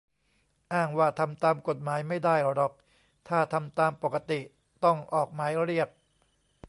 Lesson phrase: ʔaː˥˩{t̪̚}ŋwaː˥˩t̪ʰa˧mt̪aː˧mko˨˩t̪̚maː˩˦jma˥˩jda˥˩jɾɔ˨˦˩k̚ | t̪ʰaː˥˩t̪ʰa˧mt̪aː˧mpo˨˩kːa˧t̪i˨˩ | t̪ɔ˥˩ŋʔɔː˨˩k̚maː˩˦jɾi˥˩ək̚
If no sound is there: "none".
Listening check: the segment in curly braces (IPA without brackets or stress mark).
none